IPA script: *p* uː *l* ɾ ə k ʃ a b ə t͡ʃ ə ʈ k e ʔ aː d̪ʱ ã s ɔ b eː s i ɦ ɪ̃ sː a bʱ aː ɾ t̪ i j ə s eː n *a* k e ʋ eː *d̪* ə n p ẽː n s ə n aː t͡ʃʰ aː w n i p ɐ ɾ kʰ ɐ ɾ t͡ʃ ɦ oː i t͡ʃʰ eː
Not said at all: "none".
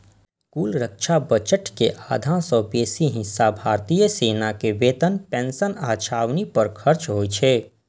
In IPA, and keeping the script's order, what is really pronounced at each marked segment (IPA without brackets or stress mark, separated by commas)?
k, l, a, t̪